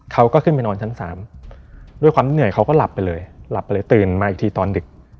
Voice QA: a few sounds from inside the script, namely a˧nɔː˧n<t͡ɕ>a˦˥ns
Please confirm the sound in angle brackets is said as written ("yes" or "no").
no